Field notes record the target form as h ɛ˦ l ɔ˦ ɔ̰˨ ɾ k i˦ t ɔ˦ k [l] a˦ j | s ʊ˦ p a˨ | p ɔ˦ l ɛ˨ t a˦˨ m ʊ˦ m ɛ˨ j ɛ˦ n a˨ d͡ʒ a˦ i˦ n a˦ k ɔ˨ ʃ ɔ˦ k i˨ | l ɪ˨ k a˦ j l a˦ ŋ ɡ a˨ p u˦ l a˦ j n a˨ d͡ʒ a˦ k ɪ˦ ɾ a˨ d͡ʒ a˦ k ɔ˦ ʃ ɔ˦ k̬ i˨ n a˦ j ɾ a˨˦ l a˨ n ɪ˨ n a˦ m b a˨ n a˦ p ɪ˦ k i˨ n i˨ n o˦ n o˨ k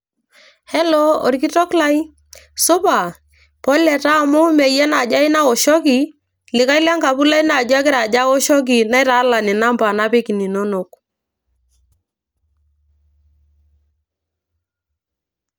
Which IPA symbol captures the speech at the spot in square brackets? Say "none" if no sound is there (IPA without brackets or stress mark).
l